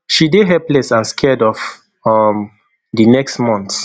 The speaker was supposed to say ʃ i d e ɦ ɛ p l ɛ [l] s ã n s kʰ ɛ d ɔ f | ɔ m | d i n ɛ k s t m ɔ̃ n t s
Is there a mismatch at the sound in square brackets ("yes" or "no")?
yes